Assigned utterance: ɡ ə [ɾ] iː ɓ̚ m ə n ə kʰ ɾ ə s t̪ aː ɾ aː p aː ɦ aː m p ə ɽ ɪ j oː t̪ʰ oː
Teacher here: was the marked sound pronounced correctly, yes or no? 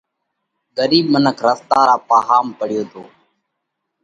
yes